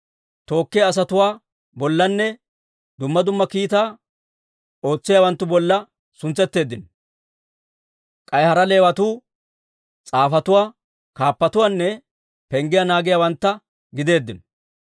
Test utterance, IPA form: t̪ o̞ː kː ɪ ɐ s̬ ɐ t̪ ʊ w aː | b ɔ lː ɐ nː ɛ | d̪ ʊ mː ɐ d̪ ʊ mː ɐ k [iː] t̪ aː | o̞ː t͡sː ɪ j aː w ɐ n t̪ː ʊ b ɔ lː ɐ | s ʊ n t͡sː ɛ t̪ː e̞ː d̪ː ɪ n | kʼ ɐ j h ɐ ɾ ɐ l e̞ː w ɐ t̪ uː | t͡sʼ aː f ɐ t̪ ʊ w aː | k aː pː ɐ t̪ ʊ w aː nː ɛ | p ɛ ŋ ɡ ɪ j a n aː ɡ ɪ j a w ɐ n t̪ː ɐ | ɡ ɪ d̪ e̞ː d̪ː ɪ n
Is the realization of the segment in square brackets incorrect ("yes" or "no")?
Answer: no